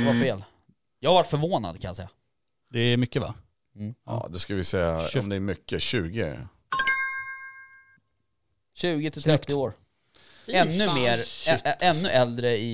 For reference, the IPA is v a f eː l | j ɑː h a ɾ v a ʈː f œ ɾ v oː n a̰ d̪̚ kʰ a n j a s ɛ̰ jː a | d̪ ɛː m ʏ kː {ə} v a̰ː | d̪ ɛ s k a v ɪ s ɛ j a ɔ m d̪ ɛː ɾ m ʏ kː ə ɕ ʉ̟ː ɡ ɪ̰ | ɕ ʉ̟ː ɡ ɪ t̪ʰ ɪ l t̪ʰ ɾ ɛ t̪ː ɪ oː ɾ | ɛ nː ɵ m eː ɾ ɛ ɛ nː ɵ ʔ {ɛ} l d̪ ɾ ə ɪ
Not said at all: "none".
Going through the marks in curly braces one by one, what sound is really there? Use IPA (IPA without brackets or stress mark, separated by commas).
ə, ɛ